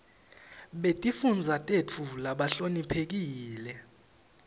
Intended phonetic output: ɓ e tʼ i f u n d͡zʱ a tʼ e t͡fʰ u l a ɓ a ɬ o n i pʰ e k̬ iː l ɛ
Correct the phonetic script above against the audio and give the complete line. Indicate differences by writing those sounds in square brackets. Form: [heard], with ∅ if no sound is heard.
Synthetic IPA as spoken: ɓ e tʼ i f u n d͡zʱ a tʼ e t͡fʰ u l a ɓ a ɬ o n i pʰ e k̬ iː l ɛ